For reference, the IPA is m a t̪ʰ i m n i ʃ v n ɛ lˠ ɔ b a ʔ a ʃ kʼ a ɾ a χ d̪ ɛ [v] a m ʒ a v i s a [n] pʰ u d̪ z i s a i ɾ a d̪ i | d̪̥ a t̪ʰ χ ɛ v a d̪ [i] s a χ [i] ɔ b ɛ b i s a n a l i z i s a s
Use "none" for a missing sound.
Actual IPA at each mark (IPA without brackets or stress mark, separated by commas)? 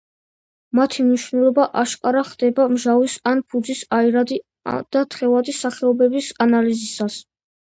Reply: b, n, i, ɛ